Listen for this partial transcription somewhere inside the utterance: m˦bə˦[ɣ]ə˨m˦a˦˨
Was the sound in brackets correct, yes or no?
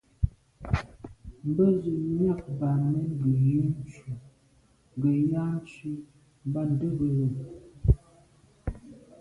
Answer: no